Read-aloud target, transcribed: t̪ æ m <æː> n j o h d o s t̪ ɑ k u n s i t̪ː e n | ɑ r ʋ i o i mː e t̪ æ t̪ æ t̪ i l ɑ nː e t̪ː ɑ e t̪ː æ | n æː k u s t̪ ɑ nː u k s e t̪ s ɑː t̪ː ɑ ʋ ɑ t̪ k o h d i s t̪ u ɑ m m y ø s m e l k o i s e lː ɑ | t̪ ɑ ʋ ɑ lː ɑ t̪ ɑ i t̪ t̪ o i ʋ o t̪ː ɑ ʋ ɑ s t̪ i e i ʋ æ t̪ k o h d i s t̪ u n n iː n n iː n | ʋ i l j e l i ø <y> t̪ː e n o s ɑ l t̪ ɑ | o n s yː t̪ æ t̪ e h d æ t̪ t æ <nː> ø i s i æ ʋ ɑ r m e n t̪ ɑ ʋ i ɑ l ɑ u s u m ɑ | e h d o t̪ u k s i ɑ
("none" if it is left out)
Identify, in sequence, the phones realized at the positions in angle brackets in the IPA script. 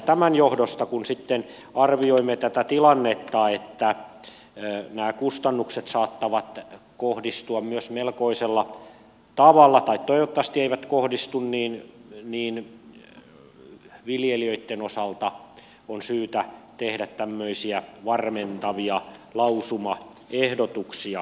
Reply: æ, i, mː

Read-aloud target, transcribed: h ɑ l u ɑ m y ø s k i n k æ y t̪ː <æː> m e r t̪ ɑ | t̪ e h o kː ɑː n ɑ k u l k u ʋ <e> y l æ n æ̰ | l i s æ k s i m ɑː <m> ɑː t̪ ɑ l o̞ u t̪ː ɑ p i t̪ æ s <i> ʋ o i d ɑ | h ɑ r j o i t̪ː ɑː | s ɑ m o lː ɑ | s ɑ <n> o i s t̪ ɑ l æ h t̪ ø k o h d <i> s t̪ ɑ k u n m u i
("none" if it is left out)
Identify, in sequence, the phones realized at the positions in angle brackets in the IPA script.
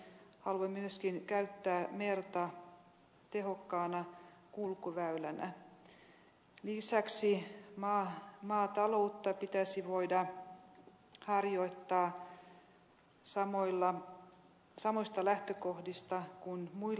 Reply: æː, æ, m, i, m, i

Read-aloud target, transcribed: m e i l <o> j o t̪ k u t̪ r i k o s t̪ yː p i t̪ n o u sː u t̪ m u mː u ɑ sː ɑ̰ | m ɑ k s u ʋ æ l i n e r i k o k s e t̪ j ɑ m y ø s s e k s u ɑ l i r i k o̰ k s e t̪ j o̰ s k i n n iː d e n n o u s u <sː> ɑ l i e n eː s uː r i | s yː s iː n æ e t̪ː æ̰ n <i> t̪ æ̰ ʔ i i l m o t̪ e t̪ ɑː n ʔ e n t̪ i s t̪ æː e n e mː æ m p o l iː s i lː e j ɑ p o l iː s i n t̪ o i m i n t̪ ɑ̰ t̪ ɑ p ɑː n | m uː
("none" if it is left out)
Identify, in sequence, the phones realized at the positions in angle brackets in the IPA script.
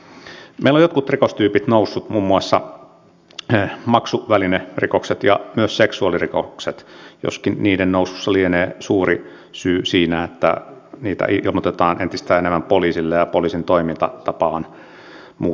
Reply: o, sː, iː

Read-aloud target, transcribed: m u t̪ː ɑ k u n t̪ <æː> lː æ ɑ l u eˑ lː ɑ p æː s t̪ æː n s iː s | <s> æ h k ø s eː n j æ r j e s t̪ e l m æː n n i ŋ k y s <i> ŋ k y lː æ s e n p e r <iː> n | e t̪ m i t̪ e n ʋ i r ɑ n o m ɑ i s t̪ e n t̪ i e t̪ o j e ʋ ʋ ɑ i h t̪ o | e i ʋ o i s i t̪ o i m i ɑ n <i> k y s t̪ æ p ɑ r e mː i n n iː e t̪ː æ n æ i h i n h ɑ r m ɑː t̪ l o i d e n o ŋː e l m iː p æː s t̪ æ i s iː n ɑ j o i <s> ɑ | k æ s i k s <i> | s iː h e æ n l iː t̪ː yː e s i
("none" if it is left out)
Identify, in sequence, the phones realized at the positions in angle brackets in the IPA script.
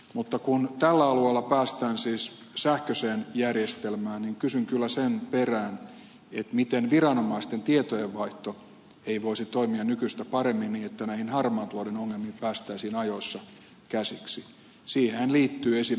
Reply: æ, s, y, æː, y, sː, i

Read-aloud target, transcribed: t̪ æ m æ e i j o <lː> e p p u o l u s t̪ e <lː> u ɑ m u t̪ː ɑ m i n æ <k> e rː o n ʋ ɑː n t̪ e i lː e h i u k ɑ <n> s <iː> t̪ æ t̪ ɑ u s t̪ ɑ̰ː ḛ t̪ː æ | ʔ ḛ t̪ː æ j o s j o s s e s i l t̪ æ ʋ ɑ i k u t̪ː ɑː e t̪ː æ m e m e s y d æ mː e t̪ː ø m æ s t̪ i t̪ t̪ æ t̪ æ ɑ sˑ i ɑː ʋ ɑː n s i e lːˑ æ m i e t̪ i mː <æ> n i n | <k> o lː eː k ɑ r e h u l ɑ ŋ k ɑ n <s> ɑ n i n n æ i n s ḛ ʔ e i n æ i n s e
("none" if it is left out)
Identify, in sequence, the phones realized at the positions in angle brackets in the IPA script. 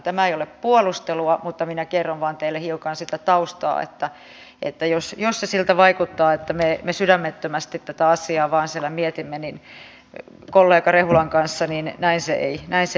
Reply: l, l, k, n, i, e, k, sː

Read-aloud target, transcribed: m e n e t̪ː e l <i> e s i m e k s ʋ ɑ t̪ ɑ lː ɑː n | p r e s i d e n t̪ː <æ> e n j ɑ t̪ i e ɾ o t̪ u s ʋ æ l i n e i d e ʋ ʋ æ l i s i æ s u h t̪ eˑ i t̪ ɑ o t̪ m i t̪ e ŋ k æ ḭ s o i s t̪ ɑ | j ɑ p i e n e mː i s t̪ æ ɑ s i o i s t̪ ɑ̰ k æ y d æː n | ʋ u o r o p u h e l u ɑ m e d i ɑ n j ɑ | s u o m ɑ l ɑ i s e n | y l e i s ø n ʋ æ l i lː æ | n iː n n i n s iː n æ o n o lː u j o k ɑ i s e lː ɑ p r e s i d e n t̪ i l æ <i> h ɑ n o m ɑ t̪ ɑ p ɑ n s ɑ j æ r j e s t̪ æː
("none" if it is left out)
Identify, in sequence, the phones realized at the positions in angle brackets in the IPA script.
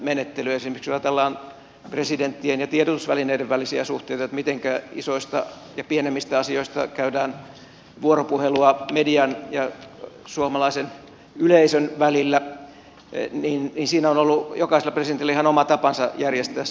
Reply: y, i, i

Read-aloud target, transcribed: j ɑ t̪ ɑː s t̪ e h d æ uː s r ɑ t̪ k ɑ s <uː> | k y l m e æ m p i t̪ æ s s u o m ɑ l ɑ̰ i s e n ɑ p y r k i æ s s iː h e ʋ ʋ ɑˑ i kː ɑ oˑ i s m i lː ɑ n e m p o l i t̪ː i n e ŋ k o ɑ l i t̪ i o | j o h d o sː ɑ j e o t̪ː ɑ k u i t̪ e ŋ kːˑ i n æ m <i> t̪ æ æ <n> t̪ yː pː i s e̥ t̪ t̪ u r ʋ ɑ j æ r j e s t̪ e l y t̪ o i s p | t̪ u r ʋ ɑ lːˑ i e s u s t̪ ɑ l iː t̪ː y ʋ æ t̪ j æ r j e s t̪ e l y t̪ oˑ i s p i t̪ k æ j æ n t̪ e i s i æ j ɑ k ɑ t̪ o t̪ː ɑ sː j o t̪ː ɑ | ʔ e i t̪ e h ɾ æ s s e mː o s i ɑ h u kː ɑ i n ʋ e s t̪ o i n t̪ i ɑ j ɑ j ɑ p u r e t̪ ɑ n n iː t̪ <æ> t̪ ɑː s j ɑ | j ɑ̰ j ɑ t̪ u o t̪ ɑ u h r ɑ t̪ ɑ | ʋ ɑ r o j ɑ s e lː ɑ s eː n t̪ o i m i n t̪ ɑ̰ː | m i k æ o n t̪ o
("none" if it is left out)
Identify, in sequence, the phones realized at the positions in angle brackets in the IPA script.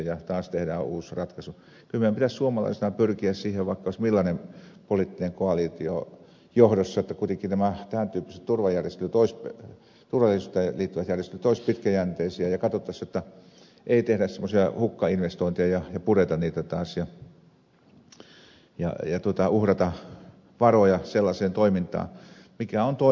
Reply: u, æ, n, æ

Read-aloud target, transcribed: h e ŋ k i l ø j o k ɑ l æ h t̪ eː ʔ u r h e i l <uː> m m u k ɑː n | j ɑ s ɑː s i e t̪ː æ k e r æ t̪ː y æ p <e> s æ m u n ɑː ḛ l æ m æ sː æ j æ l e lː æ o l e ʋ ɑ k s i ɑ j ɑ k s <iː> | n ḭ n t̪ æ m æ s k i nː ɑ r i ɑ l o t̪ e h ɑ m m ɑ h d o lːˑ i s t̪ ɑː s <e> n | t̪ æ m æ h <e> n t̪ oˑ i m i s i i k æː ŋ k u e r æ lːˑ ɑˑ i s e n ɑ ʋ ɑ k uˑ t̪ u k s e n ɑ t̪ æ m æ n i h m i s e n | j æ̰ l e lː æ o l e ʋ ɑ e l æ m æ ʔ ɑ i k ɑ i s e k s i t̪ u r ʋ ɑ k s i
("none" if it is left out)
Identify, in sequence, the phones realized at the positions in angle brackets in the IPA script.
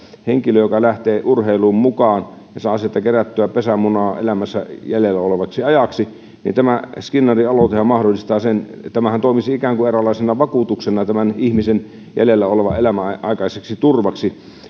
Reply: uː, e, i, e, æ

